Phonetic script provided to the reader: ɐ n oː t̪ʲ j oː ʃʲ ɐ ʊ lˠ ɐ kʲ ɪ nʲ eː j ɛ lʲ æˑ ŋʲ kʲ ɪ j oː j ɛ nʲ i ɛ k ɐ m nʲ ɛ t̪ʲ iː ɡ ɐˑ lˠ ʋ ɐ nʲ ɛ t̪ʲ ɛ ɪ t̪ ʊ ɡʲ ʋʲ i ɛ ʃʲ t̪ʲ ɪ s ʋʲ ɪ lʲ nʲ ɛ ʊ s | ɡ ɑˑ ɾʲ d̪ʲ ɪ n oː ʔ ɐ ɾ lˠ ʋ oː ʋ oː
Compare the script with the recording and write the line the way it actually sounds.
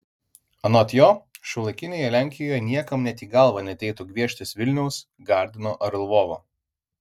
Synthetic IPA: ɐ n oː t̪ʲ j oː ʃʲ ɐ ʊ lˠ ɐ kʲ ɪ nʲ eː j ɛ lʲ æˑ ŋʲ kʲ ɪ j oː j ɛ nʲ i ɛ k ɐ m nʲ ɛ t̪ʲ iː ɡ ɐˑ lˠ ʋ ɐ nʲ ɛ t̪ʲ ɛ ɪ t̪ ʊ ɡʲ ʋʲ i ɛ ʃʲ t̪ʲ ɪ s ʋʲ ɪ lʲ nʲ ɛ ʊ s | ɡ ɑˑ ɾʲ d̪ʲ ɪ n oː ʔ ɐ ɾ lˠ ʋ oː ʋ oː